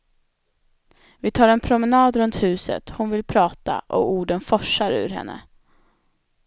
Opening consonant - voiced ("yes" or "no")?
yes